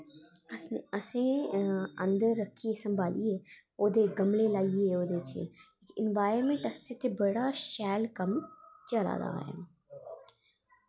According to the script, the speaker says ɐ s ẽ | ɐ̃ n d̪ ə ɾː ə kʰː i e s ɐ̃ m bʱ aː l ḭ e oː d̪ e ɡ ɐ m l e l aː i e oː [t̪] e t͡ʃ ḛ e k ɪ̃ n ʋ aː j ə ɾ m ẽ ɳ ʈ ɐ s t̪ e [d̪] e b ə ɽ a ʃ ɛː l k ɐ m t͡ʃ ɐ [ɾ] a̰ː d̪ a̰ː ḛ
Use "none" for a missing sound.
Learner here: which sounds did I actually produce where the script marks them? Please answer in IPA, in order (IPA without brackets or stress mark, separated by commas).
d̪, t̪, l